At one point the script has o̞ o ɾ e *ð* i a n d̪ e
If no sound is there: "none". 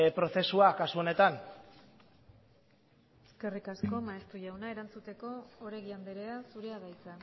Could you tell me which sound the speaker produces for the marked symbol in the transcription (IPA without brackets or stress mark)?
ɣ